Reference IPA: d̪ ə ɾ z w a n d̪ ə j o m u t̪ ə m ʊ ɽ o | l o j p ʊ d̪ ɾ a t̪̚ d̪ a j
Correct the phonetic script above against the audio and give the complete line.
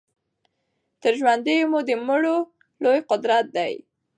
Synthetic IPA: t̪ ə ɾ ʒ w a n d̪ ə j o m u d̪ ə m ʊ ɽ o | l o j q ʊ d̪ ɾ a t̪̚ d̪ a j